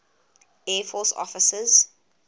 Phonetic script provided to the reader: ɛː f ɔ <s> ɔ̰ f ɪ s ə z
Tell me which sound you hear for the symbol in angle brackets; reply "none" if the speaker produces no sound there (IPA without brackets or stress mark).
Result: s